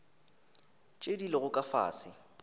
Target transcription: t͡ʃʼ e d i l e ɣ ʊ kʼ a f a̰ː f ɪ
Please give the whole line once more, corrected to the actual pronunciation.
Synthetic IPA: t͡ʃʼ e d i l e ɣ ʊ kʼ a f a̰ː s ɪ